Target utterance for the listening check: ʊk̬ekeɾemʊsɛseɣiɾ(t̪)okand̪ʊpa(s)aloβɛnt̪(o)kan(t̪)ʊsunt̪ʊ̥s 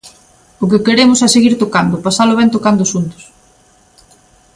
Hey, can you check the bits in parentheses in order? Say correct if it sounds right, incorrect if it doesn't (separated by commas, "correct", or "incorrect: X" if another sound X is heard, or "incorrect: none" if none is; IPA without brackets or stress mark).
correct, correct, correct, incorrect: d̪